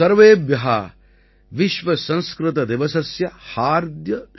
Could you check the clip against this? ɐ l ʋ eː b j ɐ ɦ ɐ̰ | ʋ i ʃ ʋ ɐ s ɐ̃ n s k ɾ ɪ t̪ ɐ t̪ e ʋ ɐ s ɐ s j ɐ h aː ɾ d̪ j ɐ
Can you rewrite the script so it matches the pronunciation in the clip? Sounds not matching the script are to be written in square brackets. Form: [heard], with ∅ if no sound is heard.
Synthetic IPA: ɐ [ɾ] ʋ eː b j ɐ ɦ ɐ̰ | ʋ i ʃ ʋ ɐ s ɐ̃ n s k ɾ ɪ t̪ ɐ [d̪] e ʋ ɐ s ɐ s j ɐ h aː ɾ d̪ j ɐ